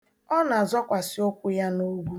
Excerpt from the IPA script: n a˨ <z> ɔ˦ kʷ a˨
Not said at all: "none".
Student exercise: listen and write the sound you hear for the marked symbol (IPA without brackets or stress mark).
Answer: z